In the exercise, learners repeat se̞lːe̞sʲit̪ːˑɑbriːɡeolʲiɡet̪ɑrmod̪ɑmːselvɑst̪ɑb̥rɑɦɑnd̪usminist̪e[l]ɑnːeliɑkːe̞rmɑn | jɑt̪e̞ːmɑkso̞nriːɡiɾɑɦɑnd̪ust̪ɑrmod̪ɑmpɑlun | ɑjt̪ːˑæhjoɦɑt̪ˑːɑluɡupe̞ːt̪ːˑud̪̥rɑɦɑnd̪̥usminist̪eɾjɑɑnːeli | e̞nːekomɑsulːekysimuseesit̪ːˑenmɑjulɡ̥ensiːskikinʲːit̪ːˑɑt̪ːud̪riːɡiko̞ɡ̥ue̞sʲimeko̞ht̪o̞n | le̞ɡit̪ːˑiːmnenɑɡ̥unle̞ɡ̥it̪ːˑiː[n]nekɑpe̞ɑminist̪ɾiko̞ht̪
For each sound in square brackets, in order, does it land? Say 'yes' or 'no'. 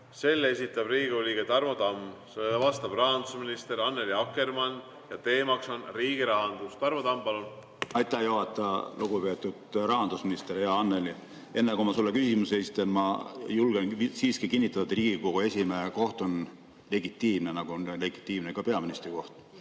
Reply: no, no

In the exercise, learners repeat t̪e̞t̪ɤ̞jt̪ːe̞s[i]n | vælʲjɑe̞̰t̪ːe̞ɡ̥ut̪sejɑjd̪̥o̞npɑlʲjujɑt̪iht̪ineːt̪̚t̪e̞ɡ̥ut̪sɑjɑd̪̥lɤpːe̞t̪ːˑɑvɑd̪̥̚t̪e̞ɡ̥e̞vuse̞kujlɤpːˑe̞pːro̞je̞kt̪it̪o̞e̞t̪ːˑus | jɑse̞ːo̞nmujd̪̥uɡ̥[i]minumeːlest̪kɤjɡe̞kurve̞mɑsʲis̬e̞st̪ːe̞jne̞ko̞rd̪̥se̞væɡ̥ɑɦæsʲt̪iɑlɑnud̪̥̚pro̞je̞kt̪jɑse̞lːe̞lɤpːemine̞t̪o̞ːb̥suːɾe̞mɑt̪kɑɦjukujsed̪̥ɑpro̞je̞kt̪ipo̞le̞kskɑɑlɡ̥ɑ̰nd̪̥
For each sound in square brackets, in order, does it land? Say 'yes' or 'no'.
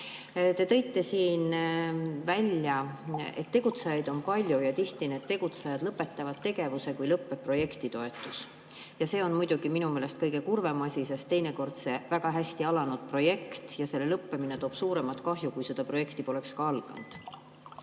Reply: no, yes

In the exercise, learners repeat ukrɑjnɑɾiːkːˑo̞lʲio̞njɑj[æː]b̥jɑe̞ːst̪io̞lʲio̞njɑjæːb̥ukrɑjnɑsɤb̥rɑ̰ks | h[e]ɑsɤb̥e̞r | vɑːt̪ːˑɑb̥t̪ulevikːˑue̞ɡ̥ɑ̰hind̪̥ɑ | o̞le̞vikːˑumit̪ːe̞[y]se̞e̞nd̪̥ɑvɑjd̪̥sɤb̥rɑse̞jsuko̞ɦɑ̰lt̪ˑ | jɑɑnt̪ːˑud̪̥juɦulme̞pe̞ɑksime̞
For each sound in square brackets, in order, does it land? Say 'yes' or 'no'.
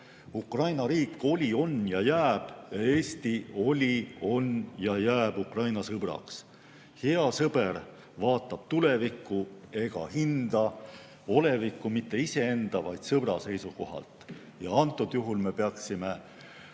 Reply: yes, yes, no

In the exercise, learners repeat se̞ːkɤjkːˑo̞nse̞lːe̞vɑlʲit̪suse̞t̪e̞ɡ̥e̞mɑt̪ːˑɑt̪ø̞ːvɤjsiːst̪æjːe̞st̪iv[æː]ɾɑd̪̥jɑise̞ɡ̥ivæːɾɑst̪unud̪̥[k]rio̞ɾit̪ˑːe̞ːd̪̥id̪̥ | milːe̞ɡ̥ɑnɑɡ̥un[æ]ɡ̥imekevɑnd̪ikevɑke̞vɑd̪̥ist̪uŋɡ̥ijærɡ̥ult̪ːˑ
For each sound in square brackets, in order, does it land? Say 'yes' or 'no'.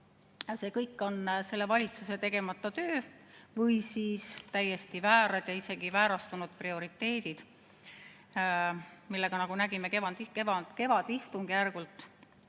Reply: yes, no, yes

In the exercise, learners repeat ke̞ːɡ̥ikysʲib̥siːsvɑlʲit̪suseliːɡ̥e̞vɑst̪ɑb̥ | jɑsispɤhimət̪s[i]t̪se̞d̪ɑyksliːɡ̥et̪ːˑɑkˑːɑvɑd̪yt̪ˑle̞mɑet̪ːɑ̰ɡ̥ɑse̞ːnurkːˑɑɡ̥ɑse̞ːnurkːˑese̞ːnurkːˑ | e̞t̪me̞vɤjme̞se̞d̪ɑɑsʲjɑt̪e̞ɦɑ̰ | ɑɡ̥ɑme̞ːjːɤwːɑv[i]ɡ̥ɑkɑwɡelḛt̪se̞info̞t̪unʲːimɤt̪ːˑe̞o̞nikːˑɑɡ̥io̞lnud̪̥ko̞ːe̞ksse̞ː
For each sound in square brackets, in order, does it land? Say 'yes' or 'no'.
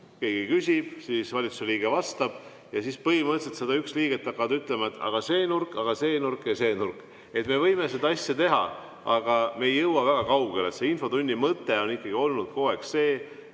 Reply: no, no

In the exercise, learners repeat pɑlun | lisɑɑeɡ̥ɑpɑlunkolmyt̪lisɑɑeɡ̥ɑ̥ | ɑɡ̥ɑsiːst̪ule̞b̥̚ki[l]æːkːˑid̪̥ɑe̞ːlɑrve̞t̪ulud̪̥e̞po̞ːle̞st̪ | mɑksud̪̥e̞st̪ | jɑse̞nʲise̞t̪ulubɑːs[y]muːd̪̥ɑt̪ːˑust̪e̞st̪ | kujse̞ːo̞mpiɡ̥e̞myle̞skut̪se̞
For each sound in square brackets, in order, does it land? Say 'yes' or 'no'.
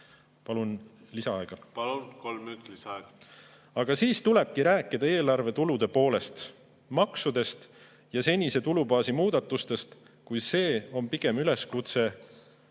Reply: no, no

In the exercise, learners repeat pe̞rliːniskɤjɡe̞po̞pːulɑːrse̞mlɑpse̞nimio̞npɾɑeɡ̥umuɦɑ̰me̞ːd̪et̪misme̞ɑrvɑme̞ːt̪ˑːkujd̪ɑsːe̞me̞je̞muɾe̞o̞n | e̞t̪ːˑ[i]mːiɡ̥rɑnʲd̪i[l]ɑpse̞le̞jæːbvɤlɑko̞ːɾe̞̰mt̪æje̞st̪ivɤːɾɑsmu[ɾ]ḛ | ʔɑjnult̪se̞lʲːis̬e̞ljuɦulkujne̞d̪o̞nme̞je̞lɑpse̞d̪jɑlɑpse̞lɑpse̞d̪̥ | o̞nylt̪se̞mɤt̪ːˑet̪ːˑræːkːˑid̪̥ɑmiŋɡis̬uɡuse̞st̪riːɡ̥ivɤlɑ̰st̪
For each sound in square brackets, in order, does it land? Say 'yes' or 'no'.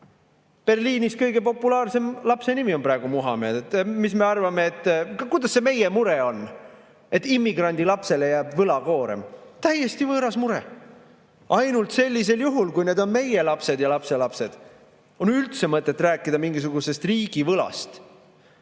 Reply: yes, yes, yes

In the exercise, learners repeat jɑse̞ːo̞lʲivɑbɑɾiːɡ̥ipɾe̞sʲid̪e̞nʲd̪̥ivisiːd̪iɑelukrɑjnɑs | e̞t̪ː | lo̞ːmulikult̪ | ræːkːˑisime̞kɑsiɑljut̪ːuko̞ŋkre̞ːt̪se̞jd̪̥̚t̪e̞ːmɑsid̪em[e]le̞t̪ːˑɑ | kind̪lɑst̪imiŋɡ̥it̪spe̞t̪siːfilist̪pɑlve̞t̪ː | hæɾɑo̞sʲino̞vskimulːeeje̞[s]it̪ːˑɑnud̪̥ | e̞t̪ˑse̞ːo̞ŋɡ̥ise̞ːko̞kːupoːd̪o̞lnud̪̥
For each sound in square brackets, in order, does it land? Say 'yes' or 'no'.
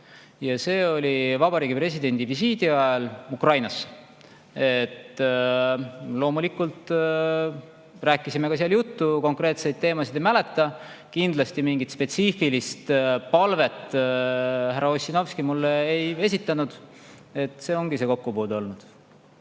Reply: no, yes

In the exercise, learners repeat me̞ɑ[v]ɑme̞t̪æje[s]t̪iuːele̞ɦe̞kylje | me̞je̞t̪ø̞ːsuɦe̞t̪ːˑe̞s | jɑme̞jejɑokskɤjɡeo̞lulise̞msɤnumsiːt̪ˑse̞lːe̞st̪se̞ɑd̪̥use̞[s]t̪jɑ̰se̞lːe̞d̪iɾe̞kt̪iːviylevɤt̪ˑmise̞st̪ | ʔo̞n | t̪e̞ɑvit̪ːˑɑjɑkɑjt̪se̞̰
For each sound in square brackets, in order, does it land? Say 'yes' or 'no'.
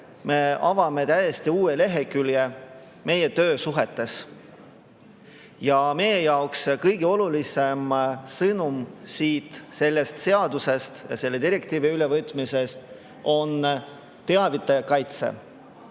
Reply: yes, yes, yes

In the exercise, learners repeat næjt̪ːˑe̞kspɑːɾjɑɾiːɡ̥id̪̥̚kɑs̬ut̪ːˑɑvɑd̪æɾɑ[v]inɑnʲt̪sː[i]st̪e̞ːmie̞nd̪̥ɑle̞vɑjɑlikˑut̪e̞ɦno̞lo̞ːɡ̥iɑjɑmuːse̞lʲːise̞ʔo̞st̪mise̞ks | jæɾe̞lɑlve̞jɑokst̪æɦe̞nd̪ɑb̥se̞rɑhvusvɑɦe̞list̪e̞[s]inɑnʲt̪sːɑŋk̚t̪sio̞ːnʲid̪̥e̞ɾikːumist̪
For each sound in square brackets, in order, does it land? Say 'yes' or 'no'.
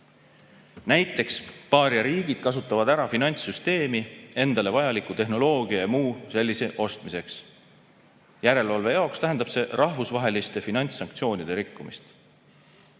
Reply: no, no, no

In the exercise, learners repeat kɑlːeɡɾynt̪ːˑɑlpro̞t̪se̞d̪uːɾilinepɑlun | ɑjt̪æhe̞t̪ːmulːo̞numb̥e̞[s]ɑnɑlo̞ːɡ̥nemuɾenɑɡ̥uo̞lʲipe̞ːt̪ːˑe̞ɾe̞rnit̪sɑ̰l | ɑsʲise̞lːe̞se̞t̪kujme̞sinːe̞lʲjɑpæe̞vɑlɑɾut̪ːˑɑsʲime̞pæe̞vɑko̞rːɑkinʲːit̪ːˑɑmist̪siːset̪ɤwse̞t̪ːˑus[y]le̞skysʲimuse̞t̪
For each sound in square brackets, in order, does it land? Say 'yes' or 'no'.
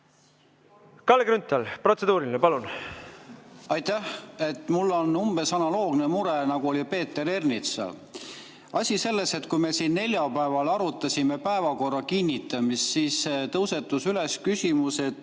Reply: yes, yes

